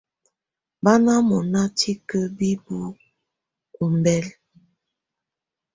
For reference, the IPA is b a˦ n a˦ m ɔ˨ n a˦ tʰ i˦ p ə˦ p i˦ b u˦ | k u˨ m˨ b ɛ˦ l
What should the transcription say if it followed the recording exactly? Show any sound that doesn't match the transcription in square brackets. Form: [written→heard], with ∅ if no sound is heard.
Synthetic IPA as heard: b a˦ n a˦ m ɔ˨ n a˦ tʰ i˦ [p→k] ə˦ [p→b] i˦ b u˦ | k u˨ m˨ b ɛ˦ l